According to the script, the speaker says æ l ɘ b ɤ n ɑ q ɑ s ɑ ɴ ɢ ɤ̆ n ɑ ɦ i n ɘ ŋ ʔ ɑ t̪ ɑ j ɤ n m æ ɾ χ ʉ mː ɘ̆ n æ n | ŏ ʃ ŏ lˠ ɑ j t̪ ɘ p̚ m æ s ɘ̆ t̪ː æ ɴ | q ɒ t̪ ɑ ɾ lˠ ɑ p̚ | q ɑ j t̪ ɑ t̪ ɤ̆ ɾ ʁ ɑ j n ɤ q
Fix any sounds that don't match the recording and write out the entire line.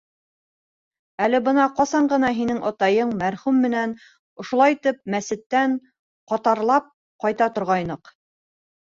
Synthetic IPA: æ l ɘ b ɤ n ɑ q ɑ s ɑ ɴ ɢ ɤ̆ n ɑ ɦ i n ɘ ŋ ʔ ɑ t̪ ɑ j ɤ ɴ m æ ɾ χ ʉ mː ɘ̆ n æ n | ŏ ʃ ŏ lˠ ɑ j t̪ ɘ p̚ m æ s ɘ̆ t̪ː æ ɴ | q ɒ t̪ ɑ ɾ lˠ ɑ p̚ | q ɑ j t̪ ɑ t̪ ŏ ɾ ʁ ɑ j n ɤ q